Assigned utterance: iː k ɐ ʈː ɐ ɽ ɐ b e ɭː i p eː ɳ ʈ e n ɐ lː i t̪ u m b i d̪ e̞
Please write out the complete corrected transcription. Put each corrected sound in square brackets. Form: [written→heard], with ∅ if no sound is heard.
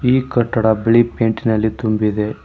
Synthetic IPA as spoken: iː k ɐ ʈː ɐ ɽ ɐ b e [ɭː→ɭ] i p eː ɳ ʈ [e→i] n ɐ lː i t̪ u m b i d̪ e̞